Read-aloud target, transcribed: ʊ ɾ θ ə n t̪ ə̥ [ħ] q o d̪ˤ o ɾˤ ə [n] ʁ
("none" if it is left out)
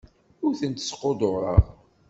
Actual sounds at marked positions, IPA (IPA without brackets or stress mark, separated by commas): s, none